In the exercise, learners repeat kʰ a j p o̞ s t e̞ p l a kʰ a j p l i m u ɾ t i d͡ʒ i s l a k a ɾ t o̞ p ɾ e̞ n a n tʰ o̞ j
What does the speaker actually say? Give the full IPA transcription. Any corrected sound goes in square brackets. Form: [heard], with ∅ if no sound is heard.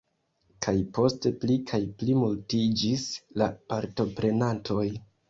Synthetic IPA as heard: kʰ a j p o̞ s t e̞ p l [i] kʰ a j p l i m u [l] t i d͡ʒ i s l a [p] a ɾ t o̞ p ɾ e̞ n a n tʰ o̞ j